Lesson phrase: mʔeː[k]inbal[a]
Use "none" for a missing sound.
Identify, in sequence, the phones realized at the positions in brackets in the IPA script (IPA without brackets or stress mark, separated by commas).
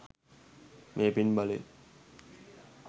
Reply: p, e